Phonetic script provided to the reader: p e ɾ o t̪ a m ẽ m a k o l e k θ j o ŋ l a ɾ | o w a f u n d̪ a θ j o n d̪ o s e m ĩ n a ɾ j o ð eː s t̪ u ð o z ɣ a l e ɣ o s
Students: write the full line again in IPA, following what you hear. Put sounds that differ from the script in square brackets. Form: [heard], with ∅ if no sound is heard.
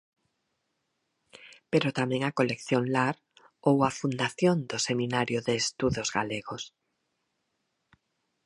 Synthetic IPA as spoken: p e ɾ o t̪ a m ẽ [ŋ] a k o l e k θ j o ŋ l a ɾ | o w a f u n d̪ a θ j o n d̪ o s e m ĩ n a ɾ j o ð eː s t̪ u ð o z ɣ a l e ɣ o s